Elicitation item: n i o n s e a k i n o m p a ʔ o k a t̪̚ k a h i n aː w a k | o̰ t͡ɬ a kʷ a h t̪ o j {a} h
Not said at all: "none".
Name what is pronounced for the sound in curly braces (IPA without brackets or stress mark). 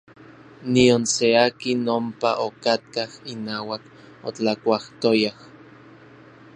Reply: a